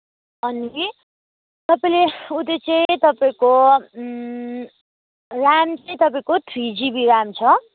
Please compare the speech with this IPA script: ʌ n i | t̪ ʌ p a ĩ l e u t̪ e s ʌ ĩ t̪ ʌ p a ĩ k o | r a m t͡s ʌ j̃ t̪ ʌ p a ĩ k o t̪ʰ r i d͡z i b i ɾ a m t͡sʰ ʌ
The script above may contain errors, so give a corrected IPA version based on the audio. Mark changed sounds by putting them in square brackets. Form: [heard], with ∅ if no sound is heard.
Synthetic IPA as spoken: ʌ n i | t̪ ʌ p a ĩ l e u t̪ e [t͡s] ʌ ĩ t̪ ʌ p a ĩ k o | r a m t͡s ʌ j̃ t̪ ʌ p a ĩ k o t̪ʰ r i d͡z i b i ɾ a m t͡sʰ ʌ